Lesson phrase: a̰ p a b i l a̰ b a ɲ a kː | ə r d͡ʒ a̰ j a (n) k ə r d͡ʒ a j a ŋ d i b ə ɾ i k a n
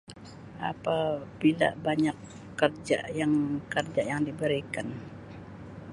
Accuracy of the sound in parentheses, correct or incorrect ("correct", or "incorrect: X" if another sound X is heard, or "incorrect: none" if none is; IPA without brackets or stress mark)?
incorrect: ŋ